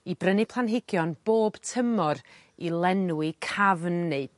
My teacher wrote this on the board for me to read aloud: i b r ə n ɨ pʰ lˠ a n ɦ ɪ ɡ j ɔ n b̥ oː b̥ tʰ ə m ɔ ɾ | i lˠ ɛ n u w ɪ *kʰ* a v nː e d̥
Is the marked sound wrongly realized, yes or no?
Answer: no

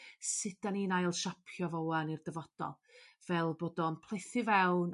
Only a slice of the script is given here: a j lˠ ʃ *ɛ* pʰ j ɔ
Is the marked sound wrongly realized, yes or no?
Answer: yes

